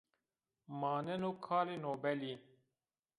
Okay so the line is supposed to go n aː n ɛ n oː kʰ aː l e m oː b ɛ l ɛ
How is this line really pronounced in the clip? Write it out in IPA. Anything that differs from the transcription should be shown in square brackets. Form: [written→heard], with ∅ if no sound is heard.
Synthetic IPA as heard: [n→m] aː n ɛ n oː kʰ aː l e [m→n] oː b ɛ l [ɛ→i]